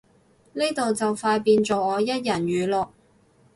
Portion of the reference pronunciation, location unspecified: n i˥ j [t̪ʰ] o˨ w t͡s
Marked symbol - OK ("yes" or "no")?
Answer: no